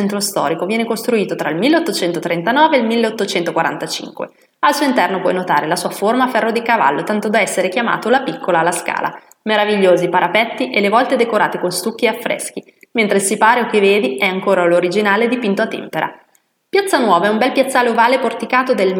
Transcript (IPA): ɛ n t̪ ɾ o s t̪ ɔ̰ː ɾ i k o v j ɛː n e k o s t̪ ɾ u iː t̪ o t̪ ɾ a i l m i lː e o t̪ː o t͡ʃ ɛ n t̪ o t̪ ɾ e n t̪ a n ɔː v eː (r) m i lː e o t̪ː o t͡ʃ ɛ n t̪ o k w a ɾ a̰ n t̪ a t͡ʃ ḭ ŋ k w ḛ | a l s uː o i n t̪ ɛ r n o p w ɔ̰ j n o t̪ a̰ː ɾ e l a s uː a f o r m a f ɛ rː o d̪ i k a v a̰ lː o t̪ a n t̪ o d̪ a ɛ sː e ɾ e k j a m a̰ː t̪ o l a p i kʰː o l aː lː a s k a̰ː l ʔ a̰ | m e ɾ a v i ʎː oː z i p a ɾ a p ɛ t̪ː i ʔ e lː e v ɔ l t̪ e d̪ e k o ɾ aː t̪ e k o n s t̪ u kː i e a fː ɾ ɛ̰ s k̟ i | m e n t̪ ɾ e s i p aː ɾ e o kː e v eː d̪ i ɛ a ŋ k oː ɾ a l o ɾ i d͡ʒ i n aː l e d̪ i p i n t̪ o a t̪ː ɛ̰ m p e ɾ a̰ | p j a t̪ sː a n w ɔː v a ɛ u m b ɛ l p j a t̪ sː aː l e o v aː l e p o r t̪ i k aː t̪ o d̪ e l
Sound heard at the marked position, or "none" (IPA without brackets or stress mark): l